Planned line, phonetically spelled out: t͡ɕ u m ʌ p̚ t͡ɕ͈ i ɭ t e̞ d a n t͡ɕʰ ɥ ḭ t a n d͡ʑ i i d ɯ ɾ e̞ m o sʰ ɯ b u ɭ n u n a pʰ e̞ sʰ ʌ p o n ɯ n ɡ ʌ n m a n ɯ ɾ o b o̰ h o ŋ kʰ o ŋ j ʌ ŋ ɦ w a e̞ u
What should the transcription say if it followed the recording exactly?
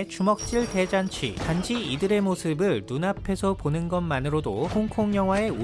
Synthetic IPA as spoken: t͡ɕ u m ʌ k̚ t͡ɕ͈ i ɭ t e̞ d͡ʑ a n t͡ɕʰ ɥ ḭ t a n d͡ʑ i i d ɯ ɾ e̞ m o sʰ ɯ b ɯ ɭ n u n a pʰ e̞ sʰ ʌ p o n ɯ n ɡ ʌ n m a n ɯ ɾ o d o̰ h o ŋ kʰ o ŋ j ʌ ŋ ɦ w a e̞ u